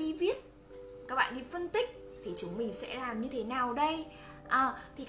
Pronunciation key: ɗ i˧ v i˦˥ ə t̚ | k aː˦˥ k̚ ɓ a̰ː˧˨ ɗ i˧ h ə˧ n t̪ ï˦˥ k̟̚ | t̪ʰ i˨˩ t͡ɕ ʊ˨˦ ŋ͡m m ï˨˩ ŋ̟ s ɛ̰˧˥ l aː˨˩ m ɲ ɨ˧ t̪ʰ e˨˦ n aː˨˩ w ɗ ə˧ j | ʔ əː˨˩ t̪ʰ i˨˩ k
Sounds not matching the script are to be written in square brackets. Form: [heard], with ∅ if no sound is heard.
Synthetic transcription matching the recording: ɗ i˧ v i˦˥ ə t̚ | k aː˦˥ k̚ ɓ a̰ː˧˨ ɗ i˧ [f] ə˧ n t̪ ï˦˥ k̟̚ | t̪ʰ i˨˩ t͡ɕ ʊ˨˦ ŋ͡m m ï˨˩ ŋ̟ s ɛ̰˧˥ l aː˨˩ m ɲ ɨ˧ t̪ʰ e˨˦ n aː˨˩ w ɗ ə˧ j | ʔ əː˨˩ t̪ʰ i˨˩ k